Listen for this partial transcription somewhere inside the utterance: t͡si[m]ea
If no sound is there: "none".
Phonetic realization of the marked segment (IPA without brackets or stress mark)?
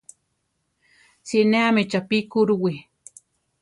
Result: n